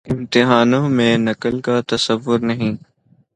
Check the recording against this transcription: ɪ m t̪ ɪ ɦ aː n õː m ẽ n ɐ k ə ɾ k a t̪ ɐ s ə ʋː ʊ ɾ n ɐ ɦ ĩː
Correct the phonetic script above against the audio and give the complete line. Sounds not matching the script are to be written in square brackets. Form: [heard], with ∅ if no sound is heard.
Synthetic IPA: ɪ m t̪ ɪ ɦ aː n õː m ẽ n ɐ k ə [l] k a t̪ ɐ s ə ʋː ʊ ɾ n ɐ ɦ ĩː